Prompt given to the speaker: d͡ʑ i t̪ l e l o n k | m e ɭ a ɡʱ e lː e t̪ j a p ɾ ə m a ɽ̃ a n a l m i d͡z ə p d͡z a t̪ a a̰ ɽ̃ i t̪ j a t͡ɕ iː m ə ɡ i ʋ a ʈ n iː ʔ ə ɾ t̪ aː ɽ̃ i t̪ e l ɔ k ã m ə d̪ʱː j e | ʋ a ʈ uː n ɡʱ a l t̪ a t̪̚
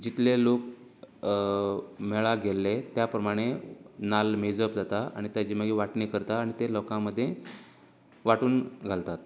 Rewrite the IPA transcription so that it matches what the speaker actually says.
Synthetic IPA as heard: d͡ʑ i t̪ l e l o k | m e ɭ a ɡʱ e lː e t̪ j a p ɾ ə m a ɽ̃ e n a l m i d͡z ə p d͡z a t̪ a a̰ ɽ̃ i t̪ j a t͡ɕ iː m ə ɡ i ʋ a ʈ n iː k ə ɾ t̪ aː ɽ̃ i t̪ e l ɔ k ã m ə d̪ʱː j e | ʋ a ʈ uː n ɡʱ a l t̪ a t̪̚